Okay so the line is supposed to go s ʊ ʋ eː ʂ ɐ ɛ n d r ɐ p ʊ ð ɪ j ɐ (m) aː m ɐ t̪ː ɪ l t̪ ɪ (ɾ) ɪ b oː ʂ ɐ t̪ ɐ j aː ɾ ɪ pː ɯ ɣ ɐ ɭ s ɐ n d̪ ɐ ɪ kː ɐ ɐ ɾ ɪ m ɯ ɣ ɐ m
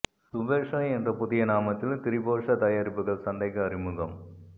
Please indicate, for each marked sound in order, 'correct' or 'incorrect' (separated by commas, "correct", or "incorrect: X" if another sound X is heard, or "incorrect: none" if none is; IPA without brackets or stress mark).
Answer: incorrect: n, correct